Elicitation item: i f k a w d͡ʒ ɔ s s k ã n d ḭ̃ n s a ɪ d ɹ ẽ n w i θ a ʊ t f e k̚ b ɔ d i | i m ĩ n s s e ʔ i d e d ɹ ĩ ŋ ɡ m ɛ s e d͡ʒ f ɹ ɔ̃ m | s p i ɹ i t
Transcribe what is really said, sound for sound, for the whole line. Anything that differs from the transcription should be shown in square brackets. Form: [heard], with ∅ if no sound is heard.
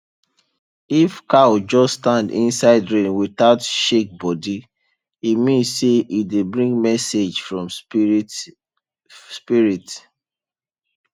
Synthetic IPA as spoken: i f k a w d͡ʒ ɔ s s [t] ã n d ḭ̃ n s a ɪ d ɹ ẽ n w i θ a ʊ t [ʃ] e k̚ b ɔ d i | i m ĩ n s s e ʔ i d e [b] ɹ ĩ ŋ ɡ m ɛ s e d͡ʒ f ɹ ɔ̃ m | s p i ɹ i t

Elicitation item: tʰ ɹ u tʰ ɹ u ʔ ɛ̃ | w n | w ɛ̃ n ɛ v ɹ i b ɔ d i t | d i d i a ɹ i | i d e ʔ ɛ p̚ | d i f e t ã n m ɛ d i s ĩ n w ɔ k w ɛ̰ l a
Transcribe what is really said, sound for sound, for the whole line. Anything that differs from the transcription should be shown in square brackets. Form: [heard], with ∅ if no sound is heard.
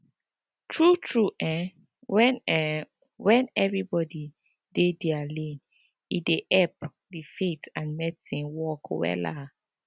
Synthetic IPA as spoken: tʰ ɹ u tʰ ɹ u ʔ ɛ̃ | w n | w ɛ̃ n ɛ v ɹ i b ɔ d i [∅] | d [e] d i a [l] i | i d e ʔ ɛ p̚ | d i f e t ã n m ɛ d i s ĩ n w ɔ k w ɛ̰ l a

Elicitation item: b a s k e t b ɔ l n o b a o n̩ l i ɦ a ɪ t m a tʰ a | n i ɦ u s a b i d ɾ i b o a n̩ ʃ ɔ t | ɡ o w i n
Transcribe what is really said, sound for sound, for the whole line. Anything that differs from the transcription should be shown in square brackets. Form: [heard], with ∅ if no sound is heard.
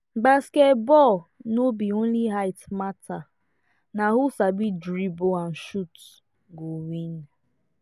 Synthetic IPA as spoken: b a s k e t b ɔ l n o b [i] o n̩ l i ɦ a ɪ t m a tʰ a | n [a] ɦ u s a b i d ɾ i b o a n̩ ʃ [u] t | ɡ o w i n

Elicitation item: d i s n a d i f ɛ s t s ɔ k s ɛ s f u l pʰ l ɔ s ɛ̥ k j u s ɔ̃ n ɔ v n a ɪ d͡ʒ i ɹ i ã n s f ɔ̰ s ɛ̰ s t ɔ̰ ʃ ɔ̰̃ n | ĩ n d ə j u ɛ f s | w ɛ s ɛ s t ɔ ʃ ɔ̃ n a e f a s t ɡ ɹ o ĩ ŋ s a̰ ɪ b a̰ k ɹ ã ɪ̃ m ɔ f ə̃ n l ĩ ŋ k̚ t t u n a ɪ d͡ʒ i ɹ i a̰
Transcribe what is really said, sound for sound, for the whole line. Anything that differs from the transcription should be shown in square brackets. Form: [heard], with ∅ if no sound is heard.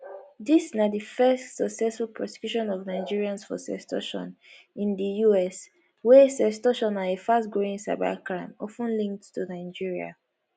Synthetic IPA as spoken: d i s n a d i f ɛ s t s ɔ k s ɛ s f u l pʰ [ɹ] ɔ s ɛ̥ k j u [ʃ] ɔ̃ n ɔ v n a ɪ d͡ʒ i ɹ i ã n s f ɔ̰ s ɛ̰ s t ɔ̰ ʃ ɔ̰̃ n | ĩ n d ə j u ɛ [∅] s | w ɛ s ɛ s t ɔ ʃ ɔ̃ n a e f a s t ɡ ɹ o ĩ ŋ s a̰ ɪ b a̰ k ɹ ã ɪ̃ m ɔ f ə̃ n l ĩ ŋ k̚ t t u n a ɪ d͡ʒ i ɹ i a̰

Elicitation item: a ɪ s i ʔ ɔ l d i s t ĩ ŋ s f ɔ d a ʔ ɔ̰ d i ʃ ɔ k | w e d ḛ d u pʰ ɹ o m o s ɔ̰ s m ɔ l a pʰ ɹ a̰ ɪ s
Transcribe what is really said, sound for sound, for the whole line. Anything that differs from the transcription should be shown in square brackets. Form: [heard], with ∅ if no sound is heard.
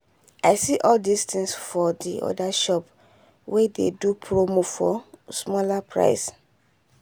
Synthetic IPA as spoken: a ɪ s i ʔ ɔ l d i s t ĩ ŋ s f ɔ d [i] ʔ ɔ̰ d [a] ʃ ɔ [p] | w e d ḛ d u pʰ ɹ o m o [f] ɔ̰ s m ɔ l a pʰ ɹ a̰ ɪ s

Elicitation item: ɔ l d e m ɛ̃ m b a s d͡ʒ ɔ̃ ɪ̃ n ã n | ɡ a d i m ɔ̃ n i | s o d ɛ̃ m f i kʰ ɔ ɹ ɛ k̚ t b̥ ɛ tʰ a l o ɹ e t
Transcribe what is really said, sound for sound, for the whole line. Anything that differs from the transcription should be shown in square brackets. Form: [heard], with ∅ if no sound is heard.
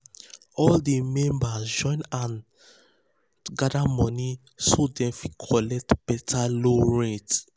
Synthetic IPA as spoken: ɔ l d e m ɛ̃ m b a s d͡ʒ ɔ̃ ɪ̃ n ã n | ɡ a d [a] m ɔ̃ n i | s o d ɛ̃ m f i kʰ ɔ [l] ɛ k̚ t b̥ ɛ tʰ a l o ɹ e t

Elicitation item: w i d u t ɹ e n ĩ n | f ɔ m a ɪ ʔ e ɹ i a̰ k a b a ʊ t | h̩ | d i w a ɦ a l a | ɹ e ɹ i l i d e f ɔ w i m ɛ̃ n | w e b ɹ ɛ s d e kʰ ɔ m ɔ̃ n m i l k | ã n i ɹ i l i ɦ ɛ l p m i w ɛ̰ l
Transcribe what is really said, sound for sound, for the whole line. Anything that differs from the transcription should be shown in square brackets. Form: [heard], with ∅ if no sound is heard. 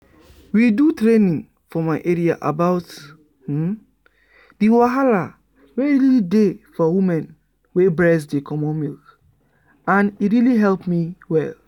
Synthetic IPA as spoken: w i d u t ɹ e n ĩ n | f ɔ m a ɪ ʔ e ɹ i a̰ [ʔ] a b a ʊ t | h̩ | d i w a ɦ a l a | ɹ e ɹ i l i d e f ɔ w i m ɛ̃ n | w e b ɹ ɛ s d e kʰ ɔ m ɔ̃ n m i l k | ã n i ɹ i l i ɦ ɛ l p m i w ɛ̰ l

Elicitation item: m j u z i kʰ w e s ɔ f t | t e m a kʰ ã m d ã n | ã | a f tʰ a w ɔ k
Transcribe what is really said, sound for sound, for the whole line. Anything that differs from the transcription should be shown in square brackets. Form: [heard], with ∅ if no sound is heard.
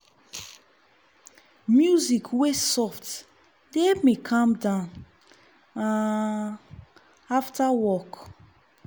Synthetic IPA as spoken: m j u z i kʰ w e s ɔ f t | [d] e m [e] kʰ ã m d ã n | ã | a f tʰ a w ɔ k

